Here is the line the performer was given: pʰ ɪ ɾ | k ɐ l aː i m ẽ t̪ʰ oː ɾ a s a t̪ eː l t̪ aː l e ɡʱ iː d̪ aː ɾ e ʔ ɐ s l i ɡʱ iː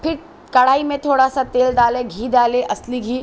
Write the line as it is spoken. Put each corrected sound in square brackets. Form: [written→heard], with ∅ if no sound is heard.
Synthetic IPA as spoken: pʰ ɪ ɾ | k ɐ [l→ɽ] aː i m ẽ t̪ʰ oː [ɾ→ɽ] a s a t̪ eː l [t̪→d̪] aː l e ɡʱ iː d̪ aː [ɾ→l] e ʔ ɐ s l i ɡʱ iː